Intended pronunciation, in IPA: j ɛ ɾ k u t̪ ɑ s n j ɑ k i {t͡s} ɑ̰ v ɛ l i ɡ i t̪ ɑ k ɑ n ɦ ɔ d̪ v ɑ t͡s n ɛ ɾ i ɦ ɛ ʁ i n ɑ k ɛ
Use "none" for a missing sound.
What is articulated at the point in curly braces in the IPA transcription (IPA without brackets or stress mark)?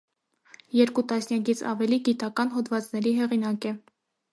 t͡sʰ